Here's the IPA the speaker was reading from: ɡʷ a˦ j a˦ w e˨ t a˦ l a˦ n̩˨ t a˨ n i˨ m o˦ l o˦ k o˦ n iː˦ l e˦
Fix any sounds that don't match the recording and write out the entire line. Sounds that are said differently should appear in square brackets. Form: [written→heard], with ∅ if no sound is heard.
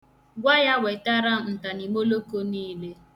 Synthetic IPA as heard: ɡʷ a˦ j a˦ w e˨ t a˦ [l→ɾ] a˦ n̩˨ t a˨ n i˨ m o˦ l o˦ k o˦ n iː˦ l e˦